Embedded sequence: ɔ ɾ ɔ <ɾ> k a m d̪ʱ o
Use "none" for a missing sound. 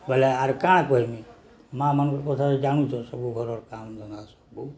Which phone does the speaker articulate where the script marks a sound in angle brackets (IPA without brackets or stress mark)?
ɾ